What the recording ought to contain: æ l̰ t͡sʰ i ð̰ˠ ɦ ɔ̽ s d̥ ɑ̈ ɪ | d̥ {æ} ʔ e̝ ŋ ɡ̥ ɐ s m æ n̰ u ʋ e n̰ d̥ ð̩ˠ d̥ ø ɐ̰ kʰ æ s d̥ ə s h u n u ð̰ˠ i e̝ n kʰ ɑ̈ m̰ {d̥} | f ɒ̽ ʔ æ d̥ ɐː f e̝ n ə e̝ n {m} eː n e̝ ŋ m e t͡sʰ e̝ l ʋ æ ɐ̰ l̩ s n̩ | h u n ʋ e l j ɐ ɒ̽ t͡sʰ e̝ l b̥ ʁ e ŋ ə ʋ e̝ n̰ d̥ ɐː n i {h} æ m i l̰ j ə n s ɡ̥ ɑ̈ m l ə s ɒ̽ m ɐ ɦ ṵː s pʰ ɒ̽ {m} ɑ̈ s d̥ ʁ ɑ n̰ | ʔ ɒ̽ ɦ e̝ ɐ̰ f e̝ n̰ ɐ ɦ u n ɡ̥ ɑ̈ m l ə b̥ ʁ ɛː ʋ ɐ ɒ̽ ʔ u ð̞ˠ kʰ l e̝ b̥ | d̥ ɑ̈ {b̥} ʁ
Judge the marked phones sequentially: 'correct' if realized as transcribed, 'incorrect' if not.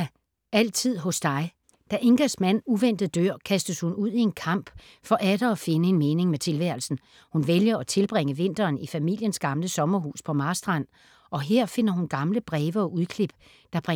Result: correct, incorrect, correct, incorrect, correct, correct

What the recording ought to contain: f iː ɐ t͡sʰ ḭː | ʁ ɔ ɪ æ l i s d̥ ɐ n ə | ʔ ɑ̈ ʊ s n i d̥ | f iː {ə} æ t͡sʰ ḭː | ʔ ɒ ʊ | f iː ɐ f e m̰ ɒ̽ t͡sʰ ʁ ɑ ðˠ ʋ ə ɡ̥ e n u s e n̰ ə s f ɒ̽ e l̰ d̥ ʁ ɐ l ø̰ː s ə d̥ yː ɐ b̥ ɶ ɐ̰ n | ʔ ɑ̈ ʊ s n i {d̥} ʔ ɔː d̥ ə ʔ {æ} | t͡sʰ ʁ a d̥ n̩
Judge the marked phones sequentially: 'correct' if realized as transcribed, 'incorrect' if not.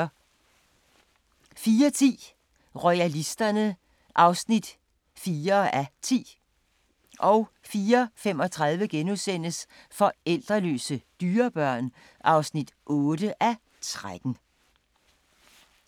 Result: incorrect, correct, correct

